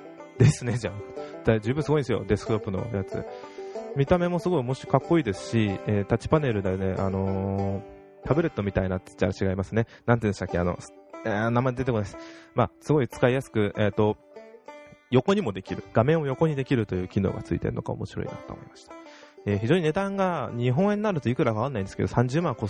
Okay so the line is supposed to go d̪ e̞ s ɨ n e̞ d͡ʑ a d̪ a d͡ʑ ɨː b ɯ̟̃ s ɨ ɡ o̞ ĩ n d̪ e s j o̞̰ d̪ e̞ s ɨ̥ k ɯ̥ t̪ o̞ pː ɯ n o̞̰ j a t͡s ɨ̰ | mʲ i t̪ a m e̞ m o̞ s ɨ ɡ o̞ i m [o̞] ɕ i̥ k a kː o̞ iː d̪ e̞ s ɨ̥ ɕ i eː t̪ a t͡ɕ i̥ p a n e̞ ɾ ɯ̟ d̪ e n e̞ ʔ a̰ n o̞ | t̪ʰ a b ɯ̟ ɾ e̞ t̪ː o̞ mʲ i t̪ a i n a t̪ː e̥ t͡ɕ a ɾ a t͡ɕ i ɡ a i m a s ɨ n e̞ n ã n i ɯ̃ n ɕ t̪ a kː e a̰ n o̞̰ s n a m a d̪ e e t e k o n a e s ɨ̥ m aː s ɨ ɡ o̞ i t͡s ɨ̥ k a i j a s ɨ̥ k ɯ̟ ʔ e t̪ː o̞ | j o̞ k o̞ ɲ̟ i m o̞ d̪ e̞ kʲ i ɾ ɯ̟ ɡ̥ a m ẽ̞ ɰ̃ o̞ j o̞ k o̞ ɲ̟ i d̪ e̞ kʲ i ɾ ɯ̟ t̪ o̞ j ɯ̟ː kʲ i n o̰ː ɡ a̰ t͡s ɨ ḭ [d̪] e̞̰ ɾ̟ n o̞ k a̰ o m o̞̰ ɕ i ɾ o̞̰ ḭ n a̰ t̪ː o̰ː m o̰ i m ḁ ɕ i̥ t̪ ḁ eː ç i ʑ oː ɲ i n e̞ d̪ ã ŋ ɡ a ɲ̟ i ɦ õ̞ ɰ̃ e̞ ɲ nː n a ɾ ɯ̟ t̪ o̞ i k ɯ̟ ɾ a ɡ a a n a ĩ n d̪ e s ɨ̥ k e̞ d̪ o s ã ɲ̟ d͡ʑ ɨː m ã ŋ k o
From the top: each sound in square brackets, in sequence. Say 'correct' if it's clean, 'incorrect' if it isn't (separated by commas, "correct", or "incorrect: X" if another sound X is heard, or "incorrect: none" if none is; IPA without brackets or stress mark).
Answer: correct, incorrect: t̪